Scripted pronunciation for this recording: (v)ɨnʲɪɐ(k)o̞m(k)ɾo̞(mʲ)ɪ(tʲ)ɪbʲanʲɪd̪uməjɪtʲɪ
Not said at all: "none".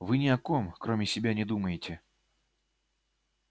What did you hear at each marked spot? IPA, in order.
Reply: v, k, k, mʲ, sʲ

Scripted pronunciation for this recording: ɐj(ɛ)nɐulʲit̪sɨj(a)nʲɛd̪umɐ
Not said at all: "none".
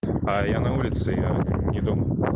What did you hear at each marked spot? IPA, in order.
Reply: a, a

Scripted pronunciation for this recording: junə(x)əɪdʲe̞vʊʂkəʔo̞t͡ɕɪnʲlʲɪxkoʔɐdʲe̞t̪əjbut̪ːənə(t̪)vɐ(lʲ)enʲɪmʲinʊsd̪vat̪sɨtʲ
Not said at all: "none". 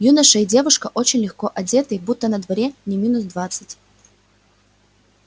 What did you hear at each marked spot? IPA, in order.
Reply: ʂ, d̪, ɾʲ

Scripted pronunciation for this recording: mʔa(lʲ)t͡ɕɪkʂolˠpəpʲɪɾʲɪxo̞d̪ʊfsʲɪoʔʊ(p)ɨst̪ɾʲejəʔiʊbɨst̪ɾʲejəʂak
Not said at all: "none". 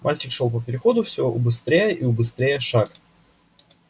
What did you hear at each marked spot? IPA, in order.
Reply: lʲ, b

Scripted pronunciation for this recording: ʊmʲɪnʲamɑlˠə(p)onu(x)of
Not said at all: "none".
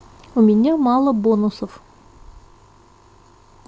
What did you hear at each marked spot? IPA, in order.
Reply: b, s

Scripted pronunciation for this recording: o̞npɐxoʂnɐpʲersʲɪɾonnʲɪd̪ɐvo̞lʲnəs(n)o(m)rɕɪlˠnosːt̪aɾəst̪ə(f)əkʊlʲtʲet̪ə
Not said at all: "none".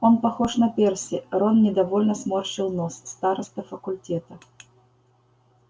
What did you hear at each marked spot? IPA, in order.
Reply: m, none, f

